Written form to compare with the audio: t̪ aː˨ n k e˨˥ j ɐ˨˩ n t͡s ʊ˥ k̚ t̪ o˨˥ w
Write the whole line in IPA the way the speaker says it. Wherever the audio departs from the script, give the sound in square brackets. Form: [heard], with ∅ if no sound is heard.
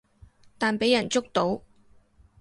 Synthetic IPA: t̪ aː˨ n [p] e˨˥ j ɐ˨˩ n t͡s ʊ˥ k̚ t̪ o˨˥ w